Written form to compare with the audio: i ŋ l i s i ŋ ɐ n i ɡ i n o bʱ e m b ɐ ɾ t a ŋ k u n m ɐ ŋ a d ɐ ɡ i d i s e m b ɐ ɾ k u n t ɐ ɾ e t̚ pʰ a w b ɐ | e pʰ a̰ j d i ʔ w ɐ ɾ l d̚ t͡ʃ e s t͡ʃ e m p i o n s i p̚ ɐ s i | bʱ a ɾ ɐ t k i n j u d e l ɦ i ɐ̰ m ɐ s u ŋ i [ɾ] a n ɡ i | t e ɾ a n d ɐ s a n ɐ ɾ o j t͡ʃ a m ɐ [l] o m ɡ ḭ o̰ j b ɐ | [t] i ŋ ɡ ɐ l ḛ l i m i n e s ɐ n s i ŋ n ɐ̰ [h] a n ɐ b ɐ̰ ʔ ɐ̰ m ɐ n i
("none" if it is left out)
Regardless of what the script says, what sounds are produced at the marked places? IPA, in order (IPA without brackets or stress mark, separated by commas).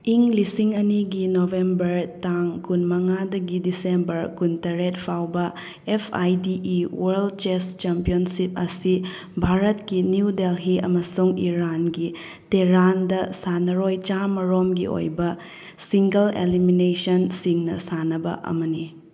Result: ɾ, ɾ, s, s